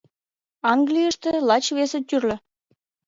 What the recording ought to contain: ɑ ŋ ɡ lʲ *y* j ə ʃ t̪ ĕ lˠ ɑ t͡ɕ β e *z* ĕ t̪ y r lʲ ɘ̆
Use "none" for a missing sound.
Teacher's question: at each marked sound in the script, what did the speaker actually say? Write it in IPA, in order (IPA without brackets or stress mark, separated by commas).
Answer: i, s